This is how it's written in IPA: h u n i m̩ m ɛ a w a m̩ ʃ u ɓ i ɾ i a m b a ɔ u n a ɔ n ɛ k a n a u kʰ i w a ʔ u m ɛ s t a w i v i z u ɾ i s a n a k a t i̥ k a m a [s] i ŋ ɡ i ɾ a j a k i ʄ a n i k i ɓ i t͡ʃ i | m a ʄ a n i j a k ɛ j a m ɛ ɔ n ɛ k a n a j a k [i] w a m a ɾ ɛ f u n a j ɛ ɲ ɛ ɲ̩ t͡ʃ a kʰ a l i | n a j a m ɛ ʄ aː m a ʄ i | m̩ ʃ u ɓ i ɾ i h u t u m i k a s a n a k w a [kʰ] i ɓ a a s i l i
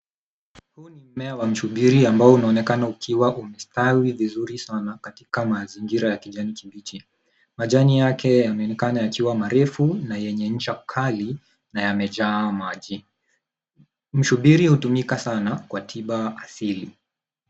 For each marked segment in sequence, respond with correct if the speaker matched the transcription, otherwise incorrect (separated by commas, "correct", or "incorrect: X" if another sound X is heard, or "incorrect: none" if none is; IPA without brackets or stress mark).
incorrect: z, correct, incorrect: tʰ